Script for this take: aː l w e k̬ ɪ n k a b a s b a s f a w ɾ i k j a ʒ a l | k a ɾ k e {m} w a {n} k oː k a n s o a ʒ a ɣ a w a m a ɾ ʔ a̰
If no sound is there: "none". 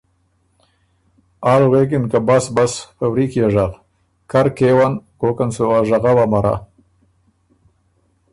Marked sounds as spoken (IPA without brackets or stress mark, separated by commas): none, n